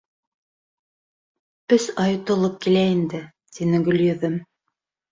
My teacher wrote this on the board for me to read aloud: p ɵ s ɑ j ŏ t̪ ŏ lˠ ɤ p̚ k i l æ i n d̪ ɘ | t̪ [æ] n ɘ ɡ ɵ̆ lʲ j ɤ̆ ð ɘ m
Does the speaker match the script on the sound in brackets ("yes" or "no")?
no